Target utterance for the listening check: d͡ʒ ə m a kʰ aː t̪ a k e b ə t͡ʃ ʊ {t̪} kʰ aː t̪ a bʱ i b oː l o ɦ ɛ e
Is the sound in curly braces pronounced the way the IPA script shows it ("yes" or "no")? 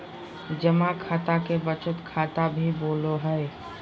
yes